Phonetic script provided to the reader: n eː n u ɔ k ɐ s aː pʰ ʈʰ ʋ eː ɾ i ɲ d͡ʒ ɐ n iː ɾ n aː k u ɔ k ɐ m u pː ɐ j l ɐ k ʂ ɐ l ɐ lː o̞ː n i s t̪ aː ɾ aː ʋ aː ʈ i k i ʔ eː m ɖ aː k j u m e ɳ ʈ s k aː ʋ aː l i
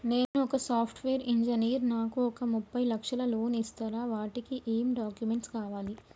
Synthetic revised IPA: n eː n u ɔ k ɐ s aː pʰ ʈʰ ʋ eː ɾ i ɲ d͡ʒ ɐ n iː ɾ n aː k u ɔ k ɐ m u pː ɐ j l ɐ k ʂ ɐ l ɐ l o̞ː n i s t̪ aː ɾ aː ʋ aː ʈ i k i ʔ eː m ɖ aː k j u m e ɳ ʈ s k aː ʋ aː l i